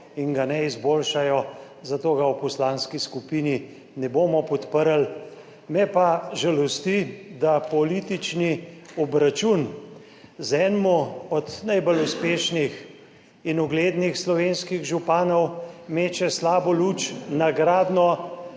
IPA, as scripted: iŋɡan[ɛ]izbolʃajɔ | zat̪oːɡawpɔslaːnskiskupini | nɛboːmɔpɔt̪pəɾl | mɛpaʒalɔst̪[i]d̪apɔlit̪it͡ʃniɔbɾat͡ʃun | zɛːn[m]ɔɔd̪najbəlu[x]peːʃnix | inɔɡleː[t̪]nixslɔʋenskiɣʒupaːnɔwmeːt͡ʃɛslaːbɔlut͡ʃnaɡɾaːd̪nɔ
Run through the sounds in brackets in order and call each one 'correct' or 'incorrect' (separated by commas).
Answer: correct, correct, correct, incorrect, incorrect